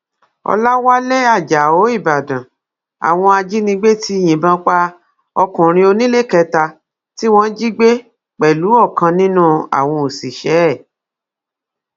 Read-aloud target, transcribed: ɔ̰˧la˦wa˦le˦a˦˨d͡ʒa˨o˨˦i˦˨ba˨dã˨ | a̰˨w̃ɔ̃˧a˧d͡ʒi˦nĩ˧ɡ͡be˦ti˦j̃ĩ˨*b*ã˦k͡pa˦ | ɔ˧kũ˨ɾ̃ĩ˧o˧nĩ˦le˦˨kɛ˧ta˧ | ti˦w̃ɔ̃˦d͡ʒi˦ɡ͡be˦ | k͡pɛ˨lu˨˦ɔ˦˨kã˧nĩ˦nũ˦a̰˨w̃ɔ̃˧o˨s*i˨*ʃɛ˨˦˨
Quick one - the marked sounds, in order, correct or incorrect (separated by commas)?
correct, correct